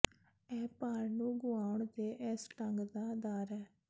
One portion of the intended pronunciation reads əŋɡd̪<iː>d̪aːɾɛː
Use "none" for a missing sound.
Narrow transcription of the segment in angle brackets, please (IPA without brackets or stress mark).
aː